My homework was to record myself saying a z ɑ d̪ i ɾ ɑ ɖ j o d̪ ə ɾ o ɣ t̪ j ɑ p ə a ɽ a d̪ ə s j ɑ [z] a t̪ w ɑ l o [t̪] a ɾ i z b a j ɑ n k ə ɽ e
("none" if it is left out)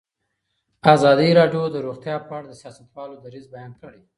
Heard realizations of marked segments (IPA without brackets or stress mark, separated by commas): s, d̪